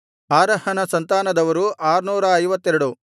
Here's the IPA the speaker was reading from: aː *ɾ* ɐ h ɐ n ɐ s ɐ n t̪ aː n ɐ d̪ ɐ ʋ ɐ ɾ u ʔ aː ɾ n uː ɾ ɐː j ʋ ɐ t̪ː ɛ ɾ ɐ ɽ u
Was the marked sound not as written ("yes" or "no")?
no